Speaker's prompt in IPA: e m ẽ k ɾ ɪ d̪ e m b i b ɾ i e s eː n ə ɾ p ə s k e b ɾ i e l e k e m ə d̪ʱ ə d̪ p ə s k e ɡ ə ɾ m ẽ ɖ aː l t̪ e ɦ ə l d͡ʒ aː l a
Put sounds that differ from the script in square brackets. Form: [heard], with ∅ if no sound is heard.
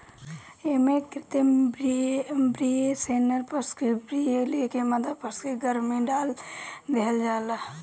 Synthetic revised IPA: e m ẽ k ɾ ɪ [t̪] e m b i b ɾ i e s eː n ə ɾ p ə s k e b ɾ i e l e k e m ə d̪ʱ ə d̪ p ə s k e ɡ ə ɾ m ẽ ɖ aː l [d̪] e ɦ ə l d͡ʒ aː l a